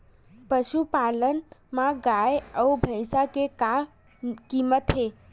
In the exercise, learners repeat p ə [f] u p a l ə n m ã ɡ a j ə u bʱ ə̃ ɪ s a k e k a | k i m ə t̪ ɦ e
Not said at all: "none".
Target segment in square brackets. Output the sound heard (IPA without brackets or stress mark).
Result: ʃ